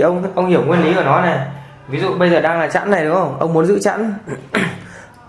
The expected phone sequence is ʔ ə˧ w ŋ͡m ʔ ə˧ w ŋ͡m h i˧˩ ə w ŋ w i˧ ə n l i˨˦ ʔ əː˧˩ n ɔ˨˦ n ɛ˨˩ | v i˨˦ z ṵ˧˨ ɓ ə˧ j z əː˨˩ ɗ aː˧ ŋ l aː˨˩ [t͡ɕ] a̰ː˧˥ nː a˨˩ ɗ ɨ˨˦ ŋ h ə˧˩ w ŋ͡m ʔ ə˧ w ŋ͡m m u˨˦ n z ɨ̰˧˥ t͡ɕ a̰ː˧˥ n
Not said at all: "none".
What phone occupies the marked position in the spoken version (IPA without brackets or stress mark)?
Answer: t͡ɕ